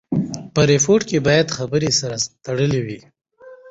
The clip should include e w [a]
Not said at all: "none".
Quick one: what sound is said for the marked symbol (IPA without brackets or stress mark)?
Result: i